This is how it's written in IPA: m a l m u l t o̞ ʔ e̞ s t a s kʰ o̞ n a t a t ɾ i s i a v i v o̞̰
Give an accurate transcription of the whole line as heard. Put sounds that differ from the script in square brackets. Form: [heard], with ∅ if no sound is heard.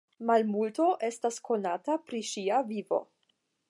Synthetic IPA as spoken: m a l m u l t o̞ ʔ e̞ s t a s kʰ o̞ n a t a [p] ɾ i [ʃ] i a v i v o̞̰